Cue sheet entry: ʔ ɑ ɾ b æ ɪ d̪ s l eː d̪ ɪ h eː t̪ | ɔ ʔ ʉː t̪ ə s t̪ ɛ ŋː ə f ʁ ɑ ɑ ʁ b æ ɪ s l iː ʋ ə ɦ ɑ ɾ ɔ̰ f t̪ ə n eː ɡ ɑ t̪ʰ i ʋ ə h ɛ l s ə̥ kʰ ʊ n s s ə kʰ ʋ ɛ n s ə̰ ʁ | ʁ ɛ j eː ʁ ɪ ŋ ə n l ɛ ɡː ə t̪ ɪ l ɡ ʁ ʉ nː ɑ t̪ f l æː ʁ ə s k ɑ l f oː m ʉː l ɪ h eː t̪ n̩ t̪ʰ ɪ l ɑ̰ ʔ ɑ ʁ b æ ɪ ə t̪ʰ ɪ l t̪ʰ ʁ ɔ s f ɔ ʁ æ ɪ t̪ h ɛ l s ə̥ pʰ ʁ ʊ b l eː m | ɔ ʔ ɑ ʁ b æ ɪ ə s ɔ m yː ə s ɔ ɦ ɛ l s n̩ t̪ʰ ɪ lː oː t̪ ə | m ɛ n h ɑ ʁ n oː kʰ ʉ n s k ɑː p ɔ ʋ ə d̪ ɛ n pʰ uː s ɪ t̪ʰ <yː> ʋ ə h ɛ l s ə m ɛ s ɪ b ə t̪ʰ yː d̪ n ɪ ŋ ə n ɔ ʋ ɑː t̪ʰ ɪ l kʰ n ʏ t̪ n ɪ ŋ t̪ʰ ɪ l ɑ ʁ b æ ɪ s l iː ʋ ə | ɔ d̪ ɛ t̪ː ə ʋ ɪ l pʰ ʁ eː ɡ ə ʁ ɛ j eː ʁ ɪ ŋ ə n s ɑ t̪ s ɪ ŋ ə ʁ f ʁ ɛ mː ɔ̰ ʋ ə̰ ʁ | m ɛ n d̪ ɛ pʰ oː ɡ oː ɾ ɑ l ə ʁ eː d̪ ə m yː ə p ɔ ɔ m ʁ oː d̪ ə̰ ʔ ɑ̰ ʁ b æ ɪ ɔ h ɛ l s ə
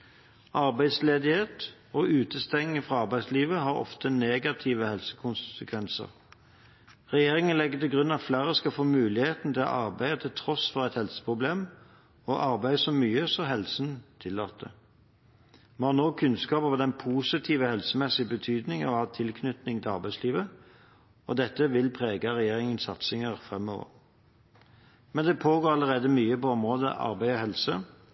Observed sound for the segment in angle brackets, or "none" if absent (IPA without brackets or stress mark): iː